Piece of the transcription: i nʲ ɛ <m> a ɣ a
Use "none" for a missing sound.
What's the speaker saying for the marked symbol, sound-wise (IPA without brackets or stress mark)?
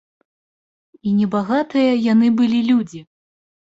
b